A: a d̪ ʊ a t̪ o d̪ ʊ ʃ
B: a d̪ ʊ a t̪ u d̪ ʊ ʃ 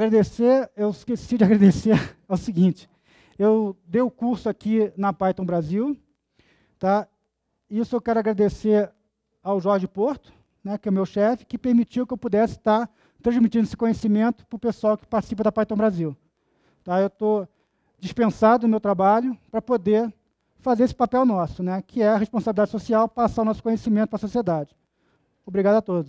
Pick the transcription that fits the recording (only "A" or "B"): A